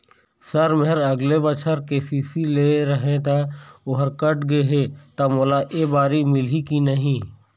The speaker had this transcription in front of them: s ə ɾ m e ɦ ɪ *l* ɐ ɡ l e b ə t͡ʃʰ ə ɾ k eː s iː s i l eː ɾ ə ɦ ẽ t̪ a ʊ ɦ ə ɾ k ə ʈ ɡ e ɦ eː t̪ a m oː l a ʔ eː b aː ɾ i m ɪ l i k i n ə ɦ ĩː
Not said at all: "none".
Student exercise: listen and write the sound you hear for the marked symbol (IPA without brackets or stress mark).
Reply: ɾ